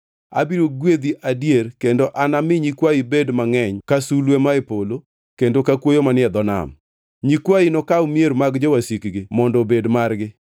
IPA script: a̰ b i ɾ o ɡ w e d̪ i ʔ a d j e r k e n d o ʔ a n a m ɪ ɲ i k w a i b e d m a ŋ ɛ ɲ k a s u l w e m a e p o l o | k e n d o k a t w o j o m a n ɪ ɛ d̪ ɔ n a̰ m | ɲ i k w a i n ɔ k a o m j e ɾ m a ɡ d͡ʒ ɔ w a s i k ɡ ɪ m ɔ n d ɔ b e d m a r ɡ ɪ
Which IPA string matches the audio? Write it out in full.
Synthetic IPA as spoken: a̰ b i ɾ o ɡ w e d̪ i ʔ a d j e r k e n d o ʔ a n a m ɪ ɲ i k w a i b e d m a ŋ ɛ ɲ k a s u l w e m a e p o l o | k e n d o k a k w o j o m a n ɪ ɛ d̪ ɔ n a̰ m | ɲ i k w a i n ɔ k a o m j e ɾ m a ɡ d͡ʒ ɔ w a s i k ɡ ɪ m ɔ n d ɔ b e d m a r ɡ ɪ